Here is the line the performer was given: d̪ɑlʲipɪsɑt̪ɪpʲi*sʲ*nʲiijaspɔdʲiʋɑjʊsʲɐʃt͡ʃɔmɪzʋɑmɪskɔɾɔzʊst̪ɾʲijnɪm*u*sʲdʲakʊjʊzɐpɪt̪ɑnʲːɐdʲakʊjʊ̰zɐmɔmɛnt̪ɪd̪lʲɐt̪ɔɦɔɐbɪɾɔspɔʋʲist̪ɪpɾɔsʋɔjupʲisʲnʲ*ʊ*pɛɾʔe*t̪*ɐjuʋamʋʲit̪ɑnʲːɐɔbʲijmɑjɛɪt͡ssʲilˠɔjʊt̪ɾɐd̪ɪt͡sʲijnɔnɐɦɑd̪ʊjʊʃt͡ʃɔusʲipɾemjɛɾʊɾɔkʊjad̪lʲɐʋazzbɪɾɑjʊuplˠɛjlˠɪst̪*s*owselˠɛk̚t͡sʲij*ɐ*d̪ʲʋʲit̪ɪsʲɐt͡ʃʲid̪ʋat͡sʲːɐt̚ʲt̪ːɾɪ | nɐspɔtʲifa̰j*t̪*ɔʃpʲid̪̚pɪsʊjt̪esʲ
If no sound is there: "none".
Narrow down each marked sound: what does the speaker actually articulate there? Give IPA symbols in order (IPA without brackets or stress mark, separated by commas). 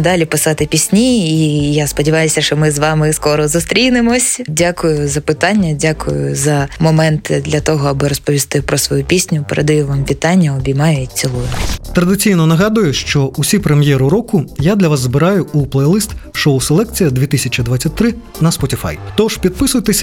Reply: sʲ, ɔ, ʊ, d̪, ʃ, ɐ, t̪